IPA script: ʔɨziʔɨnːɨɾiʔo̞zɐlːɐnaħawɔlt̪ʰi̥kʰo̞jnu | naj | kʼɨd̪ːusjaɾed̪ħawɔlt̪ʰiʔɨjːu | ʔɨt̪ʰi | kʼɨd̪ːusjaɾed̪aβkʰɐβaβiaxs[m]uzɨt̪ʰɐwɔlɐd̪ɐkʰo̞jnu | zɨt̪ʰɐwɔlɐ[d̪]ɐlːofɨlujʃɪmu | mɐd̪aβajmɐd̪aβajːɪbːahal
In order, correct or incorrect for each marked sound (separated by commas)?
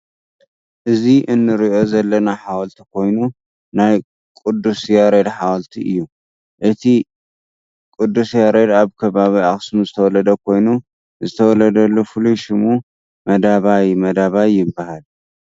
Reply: correct, correct